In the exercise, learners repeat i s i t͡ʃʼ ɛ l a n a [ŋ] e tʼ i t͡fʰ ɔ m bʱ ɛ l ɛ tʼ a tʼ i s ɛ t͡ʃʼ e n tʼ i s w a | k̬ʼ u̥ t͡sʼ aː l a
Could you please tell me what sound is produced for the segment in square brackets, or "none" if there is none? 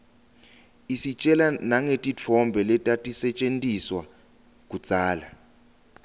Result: ŋ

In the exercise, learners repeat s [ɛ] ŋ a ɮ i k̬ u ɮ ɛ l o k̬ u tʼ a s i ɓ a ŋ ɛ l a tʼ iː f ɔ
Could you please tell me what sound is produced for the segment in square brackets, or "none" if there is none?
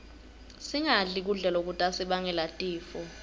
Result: i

